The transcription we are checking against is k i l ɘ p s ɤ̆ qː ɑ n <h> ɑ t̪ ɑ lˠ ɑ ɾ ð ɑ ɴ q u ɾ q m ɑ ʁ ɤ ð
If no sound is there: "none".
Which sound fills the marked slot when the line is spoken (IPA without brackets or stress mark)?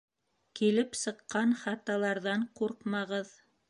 χ